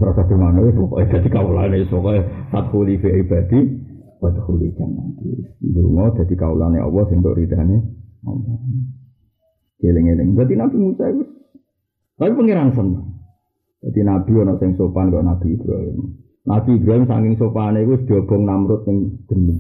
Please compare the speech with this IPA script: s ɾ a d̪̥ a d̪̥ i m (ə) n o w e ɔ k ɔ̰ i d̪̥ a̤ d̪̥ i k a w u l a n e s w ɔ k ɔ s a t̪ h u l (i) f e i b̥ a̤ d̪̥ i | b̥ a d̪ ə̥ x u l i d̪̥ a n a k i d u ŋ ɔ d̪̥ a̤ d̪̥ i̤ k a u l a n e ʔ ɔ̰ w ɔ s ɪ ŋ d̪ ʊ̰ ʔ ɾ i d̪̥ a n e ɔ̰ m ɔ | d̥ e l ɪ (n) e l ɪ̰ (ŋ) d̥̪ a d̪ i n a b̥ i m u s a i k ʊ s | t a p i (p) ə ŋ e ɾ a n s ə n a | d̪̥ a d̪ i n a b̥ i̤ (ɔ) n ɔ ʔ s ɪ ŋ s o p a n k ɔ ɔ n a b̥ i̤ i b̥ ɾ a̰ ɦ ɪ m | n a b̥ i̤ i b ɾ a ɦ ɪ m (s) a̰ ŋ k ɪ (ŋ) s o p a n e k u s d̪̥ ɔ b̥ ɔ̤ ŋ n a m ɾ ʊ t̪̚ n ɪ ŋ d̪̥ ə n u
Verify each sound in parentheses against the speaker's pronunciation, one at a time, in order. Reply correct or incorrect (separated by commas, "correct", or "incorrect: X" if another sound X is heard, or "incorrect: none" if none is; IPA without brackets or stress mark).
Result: incorrect: a, correct, incorrect: ŋ, correct, correct, correct, correct, correct